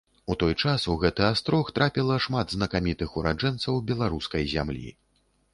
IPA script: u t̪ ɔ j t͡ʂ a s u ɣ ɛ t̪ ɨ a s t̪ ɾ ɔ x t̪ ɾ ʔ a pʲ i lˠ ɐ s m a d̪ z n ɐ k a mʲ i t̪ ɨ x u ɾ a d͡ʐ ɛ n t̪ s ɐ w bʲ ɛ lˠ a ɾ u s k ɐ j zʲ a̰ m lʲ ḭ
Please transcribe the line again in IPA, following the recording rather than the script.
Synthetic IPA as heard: u t̪ ɔ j t͡ʂ a s u ɣ ɛ t̪ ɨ a s t̪ ɾ ɔ x t̪ ɾ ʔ a pʲ i lˠ ɐ ʂ m a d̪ z n ɐ k a mʲ i t̪ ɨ x u ɾ a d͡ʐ ɛ n t̪ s ɐ w bʲ ɛ lˠ a ɾ u s k ɐ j zʲ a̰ m lʲ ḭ